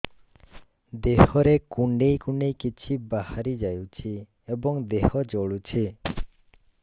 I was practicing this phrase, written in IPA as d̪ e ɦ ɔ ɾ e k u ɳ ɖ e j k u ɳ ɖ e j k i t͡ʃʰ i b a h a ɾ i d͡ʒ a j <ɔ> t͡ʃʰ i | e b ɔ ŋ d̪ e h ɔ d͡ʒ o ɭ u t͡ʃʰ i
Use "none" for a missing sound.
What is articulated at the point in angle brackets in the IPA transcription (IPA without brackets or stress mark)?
u